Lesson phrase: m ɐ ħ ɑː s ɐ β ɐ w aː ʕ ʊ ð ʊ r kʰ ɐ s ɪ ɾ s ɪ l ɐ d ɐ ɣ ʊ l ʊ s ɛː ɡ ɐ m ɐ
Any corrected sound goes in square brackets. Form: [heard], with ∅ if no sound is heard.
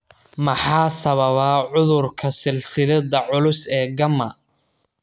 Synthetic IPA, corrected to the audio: m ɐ ħ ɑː s ɐ β ɐ [β] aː ʕ ʊ ð ʊ r kʰ ɐ s ɪ [l] s ɪ l ɐ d ɐ [ʕ] ʊ l ʊ s ɛː ɡ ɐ m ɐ